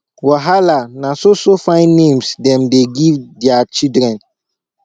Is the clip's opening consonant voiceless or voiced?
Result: voiced